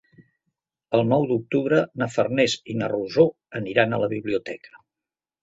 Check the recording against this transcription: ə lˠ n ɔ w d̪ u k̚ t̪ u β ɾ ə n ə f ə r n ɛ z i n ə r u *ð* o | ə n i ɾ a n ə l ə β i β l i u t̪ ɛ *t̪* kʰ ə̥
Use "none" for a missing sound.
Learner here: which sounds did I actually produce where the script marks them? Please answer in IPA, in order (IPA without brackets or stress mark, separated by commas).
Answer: z, none